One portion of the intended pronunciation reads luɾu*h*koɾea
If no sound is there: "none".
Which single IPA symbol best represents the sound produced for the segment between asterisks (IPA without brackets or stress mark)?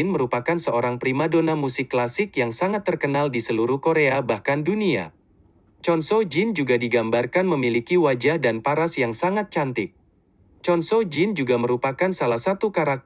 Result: h